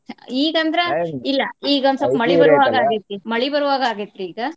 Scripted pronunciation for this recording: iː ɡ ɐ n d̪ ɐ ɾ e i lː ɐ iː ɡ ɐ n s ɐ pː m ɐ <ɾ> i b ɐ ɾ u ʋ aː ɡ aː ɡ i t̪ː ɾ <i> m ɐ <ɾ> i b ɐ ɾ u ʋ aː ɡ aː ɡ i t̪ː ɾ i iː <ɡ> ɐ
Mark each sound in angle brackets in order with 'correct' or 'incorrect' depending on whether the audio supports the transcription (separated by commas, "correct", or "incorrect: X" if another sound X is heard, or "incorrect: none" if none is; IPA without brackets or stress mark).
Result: incorrect: ɭ, correct, incorrect: ɭ, correct